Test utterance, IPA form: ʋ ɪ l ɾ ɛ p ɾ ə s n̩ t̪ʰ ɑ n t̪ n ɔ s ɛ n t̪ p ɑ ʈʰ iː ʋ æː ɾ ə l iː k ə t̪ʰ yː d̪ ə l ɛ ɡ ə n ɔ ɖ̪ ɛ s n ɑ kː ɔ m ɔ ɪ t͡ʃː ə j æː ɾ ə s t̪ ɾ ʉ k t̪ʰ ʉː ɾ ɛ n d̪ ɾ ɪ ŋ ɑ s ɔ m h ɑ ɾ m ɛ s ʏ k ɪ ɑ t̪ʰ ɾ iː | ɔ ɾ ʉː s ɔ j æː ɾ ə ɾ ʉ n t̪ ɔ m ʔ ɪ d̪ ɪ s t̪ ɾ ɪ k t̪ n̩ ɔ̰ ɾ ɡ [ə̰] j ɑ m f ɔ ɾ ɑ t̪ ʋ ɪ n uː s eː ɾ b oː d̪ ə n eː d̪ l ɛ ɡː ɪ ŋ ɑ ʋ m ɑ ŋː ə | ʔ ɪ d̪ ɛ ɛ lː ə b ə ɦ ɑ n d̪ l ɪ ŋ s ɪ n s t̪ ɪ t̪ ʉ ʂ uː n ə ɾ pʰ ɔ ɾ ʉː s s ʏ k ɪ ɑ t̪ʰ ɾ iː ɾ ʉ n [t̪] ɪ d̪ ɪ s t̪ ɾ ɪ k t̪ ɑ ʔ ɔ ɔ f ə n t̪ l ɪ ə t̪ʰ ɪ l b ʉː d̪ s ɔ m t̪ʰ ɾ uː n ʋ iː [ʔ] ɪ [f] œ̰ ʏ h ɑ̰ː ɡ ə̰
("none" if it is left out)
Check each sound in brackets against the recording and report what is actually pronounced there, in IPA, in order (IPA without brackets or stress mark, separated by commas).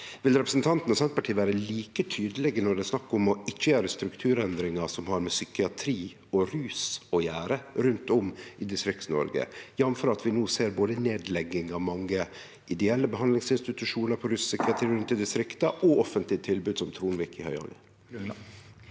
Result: ə̰, t̪, k, h